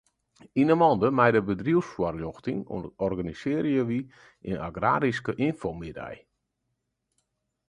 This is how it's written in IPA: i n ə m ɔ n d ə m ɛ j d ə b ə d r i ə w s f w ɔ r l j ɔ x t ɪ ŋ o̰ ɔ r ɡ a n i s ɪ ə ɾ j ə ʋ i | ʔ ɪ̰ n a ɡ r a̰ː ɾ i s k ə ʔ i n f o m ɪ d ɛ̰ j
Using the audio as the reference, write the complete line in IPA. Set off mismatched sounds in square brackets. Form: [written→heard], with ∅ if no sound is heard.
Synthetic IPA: i n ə m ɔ n d ə m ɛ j d ə b ə d r i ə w s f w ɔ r l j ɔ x t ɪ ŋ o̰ ɔ r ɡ a n i s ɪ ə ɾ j ə ʋ i | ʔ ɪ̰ n a ɡ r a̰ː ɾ i s k ə ʔ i n f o m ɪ d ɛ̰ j